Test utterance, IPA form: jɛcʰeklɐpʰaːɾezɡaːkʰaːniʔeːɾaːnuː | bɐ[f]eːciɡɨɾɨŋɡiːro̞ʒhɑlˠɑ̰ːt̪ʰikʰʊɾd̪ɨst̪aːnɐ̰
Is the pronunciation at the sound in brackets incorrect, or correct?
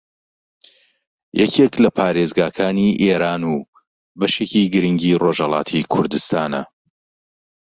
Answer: incorrect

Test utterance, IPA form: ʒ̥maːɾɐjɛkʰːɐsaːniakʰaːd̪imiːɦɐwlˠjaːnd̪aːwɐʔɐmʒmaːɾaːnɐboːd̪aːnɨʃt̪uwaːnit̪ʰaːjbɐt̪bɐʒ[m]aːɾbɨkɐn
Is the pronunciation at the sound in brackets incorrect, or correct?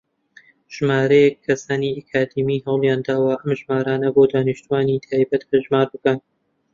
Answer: correct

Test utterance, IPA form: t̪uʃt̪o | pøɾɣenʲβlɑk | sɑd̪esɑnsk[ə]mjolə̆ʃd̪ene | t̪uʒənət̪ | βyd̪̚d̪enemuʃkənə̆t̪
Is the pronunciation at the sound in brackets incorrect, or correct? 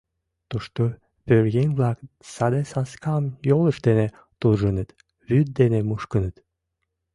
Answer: incorrect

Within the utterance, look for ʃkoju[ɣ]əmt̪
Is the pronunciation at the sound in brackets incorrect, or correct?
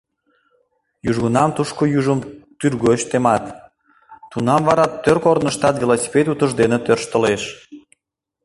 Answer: incorrect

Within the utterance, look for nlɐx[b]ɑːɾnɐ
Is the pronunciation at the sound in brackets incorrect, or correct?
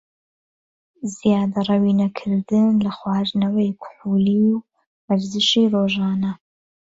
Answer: incorrect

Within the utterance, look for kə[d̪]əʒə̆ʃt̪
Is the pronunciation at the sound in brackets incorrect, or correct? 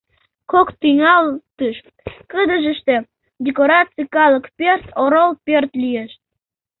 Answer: correct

